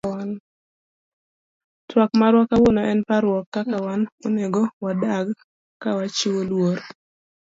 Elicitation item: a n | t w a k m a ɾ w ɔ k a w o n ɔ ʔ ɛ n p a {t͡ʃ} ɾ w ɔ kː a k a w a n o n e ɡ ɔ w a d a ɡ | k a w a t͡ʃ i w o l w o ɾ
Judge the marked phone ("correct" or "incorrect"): incorrect